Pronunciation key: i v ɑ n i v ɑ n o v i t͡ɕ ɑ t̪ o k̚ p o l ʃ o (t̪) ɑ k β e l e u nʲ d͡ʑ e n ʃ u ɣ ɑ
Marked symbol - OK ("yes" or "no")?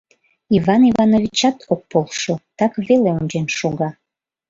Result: yes